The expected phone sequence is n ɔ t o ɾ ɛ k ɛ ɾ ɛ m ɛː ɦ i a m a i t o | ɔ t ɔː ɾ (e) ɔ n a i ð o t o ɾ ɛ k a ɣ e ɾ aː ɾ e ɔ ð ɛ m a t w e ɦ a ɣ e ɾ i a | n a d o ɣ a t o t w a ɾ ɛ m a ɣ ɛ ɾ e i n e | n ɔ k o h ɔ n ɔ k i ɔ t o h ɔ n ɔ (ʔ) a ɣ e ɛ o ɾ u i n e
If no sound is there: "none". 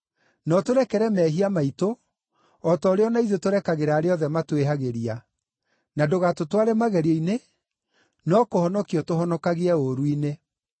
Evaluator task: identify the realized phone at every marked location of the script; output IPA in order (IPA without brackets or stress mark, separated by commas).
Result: e, k